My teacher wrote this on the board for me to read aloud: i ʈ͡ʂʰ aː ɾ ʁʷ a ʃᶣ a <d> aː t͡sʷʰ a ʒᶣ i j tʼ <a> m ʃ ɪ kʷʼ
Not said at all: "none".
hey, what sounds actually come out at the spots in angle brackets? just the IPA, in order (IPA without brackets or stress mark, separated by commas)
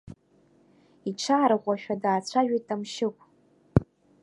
d, a